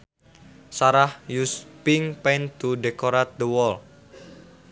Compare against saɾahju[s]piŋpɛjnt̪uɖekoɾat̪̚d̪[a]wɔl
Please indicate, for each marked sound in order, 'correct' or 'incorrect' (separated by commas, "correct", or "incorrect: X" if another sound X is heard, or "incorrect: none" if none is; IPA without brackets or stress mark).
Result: correct, incorrect: ə